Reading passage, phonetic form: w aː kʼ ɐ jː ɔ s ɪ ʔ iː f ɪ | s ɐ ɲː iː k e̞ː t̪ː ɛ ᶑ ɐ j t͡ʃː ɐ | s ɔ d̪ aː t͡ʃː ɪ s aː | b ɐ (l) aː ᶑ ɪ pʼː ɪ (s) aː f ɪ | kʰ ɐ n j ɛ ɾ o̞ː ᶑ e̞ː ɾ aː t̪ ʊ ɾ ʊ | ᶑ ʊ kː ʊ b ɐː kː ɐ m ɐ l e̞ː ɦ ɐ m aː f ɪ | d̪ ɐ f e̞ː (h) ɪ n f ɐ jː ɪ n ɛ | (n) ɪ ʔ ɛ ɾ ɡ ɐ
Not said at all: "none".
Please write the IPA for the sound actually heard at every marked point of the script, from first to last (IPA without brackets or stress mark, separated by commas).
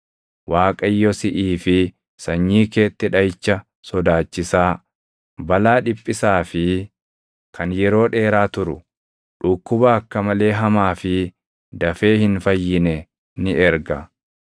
l, s, h, n